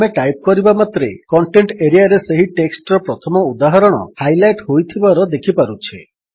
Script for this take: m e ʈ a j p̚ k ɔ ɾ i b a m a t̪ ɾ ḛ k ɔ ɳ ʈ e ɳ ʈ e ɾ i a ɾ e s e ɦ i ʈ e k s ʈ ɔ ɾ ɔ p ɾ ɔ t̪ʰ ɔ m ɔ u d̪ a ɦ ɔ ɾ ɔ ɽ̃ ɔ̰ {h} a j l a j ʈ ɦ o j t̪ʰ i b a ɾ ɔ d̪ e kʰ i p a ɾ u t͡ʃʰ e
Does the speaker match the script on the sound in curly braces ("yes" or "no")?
yes